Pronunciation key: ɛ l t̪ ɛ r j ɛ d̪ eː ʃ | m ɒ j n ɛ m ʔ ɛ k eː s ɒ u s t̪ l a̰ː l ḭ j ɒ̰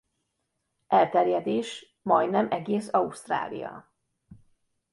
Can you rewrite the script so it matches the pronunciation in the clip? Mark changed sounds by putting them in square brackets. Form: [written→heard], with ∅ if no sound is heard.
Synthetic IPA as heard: ɛ l t̪ ɛ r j ɛ d̪ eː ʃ | m ɒ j n ɛ m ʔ ɛ [k→ɡ] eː s ɒ u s t̪ [l→r] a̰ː l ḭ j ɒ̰